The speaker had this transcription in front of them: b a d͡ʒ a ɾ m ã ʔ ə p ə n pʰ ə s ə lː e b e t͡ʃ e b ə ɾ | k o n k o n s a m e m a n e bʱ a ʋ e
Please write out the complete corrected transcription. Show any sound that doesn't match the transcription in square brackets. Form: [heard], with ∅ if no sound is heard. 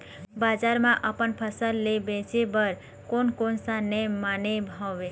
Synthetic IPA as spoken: b a d͡ʒ a ɾ m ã ʔ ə p ə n pʰ ə s ə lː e b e t͡ʃ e b ə ɾ | k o n k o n s a [n] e m a n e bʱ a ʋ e